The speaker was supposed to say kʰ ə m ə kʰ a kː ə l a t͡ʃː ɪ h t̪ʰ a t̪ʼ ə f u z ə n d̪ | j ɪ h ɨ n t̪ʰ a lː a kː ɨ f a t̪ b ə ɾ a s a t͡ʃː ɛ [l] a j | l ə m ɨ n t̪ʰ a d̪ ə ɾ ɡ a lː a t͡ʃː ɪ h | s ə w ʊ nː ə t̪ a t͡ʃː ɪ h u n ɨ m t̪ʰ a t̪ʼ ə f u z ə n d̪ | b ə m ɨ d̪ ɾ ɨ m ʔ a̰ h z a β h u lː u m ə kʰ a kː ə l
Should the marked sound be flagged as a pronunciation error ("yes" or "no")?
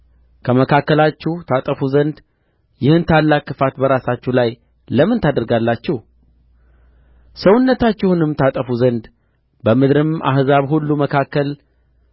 no